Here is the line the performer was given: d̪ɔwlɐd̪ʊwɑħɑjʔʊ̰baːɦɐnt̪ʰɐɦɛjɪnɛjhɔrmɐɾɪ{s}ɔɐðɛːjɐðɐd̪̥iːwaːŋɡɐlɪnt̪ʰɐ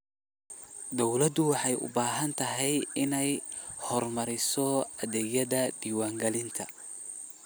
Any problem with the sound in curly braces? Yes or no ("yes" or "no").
no